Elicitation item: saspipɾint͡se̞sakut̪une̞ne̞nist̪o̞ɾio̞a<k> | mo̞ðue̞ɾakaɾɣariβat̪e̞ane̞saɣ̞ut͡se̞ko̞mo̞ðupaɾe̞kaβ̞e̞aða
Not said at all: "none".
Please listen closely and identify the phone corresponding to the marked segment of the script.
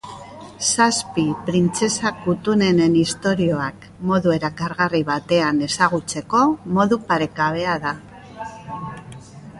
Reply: k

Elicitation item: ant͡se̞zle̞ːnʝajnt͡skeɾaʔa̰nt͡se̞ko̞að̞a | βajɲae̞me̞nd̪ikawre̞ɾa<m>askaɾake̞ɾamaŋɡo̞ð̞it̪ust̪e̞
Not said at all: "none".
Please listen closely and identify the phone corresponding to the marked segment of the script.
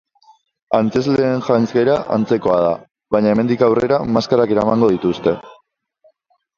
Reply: m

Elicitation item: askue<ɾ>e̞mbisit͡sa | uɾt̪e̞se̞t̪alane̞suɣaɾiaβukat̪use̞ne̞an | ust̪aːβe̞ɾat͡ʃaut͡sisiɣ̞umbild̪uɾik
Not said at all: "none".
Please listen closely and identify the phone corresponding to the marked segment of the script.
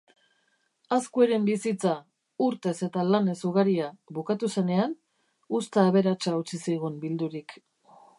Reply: ɾ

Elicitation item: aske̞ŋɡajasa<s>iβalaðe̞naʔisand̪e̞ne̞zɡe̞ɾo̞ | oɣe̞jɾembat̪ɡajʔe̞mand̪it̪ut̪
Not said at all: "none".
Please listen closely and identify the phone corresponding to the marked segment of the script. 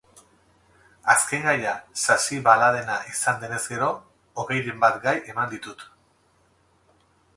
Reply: s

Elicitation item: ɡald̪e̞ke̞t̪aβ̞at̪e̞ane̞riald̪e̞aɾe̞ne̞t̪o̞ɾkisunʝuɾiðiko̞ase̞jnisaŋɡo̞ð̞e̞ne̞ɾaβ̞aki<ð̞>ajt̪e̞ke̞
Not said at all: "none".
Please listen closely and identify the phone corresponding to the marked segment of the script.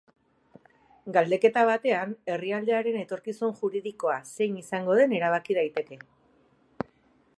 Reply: ð̞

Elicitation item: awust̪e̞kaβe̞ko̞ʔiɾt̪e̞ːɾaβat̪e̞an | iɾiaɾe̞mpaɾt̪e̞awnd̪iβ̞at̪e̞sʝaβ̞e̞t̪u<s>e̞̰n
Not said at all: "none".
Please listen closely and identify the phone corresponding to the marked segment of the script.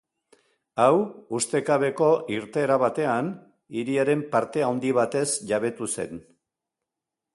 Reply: s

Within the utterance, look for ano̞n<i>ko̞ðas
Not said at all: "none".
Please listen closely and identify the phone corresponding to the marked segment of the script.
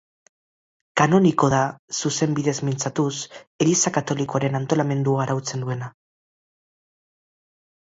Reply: i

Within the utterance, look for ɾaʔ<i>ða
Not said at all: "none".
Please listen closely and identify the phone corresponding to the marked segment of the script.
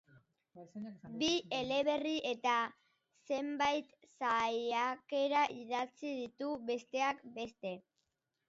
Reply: i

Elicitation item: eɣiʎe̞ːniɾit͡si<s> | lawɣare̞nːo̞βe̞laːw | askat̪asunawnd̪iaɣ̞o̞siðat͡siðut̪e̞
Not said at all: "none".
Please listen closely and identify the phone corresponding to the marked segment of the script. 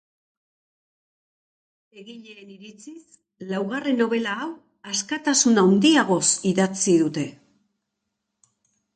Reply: s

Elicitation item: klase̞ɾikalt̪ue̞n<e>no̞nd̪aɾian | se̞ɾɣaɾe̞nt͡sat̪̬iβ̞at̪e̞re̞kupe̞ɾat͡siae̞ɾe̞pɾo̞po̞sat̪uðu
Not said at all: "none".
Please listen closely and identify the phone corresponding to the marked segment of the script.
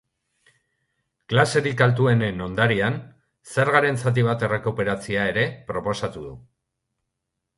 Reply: e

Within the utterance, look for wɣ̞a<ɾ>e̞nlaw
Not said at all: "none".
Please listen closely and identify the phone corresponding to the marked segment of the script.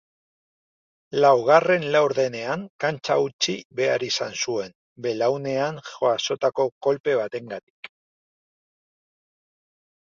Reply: r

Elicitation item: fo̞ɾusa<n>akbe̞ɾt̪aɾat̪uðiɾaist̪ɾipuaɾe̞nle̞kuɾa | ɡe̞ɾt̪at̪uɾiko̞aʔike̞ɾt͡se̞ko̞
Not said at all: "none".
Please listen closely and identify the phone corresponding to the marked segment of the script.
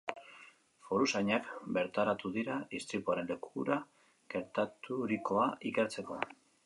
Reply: ɲ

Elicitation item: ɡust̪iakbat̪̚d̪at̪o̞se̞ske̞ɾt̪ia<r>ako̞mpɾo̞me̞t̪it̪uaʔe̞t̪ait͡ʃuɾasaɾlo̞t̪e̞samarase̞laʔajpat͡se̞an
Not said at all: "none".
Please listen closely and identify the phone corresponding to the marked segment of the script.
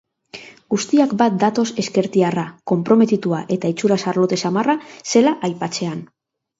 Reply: r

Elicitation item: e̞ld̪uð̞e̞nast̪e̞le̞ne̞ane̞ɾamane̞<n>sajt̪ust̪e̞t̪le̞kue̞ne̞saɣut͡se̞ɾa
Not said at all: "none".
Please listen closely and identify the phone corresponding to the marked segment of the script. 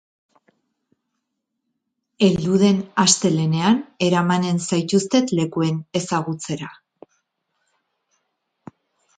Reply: n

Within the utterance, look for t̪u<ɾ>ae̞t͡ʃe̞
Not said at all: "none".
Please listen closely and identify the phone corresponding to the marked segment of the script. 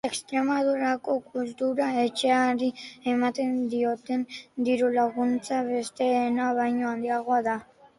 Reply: ɾ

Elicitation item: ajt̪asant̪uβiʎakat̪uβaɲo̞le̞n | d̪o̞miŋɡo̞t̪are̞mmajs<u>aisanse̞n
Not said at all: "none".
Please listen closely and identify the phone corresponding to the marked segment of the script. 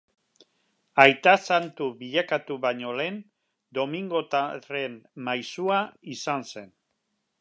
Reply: u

